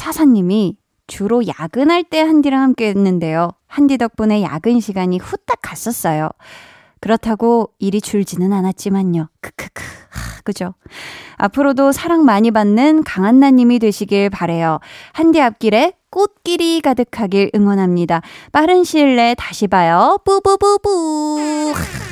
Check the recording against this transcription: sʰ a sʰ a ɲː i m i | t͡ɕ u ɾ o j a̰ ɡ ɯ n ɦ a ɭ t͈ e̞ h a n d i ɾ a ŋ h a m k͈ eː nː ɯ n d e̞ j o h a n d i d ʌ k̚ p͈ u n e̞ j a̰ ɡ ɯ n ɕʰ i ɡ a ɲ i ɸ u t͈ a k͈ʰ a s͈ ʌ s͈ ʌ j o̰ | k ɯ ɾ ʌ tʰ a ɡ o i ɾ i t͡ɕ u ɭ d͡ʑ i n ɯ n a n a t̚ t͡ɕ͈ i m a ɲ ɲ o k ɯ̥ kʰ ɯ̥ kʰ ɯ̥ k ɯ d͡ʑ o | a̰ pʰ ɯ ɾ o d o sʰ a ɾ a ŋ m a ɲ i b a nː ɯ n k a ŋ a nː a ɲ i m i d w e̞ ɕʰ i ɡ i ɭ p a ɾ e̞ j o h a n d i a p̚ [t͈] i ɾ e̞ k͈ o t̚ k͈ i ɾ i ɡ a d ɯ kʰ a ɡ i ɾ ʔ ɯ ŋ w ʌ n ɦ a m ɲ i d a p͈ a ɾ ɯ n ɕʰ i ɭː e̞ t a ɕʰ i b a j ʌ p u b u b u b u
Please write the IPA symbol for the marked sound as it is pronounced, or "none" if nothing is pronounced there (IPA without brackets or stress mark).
k͈